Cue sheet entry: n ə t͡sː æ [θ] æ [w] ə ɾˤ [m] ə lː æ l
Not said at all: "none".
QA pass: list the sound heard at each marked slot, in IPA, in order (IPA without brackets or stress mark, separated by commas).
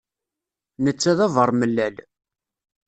ð, v, m